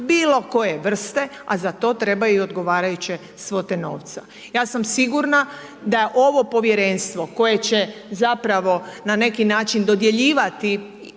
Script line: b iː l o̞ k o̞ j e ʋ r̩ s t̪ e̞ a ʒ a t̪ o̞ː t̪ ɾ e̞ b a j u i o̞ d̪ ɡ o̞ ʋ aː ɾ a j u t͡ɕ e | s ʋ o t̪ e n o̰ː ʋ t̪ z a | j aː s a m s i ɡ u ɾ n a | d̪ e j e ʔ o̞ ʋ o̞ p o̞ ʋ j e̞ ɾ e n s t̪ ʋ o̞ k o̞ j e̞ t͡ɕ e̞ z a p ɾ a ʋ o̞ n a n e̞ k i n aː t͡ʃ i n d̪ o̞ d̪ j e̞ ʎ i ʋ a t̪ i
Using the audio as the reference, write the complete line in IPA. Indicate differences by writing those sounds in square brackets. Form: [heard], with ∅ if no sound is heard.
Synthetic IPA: b iː l o̞ k o̞ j e ʋ r̩ s t̪ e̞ a [z] a t̪ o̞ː t̪ ɾ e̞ b a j u i o̞ d̪ ɡ o̞ ʋ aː ɾ a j u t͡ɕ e | s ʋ o t̪ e n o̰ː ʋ t̪ [s] a | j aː s a m s i ɡ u ɾ n a | d̪ [a] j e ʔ o̞ ʋ o̞ p o̞ ʋ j e̞ ɾ e n s t̪ ʋ o̞ k o̞ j e̞ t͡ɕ e̞ z a p ɾ a ʋ o̞ n a n e̞ k i n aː t͡ʃ i n d̪ o̞ d̪ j e̞ ʎ [iː] ʋ a t̪ i